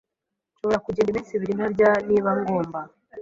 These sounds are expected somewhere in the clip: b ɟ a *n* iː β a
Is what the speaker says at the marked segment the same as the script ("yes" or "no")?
yes